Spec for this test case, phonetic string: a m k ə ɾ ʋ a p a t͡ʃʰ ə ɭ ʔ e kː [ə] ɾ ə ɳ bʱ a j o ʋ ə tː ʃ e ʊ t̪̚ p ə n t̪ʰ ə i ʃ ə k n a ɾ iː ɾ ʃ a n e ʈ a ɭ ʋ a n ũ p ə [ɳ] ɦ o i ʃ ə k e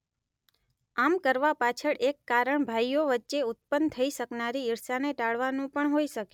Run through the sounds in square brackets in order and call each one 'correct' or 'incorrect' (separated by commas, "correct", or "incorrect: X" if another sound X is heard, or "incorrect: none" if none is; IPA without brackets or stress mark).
incorrect: a, correct